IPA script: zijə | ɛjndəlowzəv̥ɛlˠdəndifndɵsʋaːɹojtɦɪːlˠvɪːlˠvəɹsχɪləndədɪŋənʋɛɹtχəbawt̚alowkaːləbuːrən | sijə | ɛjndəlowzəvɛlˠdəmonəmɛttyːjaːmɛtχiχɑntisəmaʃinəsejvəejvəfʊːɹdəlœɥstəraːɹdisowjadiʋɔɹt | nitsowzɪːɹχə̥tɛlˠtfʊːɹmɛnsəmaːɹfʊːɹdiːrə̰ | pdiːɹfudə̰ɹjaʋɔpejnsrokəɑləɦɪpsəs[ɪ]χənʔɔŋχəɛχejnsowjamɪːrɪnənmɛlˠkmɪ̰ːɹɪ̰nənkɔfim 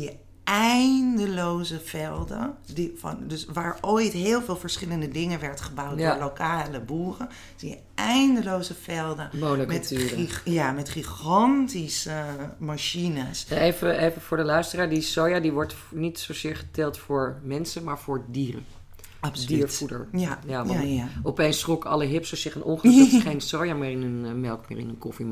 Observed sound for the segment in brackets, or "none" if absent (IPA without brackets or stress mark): ɪ